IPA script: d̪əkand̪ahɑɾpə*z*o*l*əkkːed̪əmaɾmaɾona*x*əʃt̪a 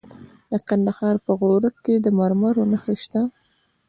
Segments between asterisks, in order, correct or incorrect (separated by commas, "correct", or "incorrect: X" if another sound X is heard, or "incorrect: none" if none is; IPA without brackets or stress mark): incorrect: ɣ, incorrect: ɾ, correct